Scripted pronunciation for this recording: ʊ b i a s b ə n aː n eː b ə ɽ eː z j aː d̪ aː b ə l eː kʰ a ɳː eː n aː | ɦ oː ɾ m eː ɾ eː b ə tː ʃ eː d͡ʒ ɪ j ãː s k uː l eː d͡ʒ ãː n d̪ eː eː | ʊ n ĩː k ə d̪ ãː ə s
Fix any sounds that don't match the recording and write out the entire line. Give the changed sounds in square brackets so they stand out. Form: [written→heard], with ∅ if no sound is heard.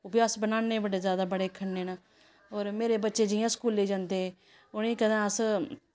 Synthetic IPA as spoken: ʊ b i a s b ə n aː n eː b ə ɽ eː z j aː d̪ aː b ə [l→ɽ] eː kʰ [a→ə] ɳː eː n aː | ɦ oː ɾ m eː ɾ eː b ə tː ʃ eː d͡ʒ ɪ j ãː s k uː l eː d͡ʒ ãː n d̪ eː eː | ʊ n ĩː k ə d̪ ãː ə s